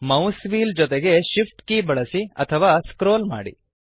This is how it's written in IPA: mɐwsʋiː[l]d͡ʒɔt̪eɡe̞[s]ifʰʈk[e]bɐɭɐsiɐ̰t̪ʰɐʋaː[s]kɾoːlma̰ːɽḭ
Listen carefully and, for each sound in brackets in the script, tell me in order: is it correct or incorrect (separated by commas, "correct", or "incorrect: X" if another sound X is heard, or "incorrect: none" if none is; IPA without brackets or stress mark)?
correct, incorrect: ʃ, incorrect: i, correct